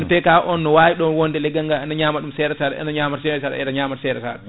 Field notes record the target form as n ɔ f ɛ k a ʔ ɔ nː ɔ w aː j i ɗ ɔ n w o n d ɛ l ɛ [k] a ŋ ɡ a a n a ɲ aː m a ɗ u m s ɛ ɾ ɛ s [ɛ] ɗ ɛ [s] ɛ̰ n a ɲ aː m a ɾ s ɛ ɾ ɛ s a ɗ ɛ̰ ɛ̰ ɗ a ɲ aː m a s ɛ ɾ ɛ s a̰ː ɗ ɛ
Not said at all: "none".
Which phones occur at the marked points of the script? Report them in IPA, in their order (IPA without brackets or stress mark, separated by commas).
ɡ, a, none